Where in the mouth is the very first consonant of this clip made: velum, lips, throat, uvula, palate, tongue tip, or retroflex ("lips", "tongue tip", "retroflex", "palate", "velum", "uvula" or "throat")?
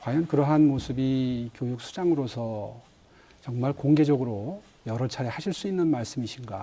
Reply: velum